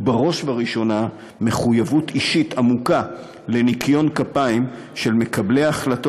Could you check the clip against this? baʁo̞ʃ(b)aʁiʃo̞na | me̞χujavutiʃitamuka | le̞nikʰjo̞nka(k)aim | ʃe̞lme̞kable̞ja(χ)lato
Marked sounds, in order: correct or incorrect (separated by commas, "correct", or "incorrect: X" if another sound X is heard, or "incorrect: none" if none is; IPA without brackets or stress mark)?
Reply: incorrect: v, incorrect: p, correct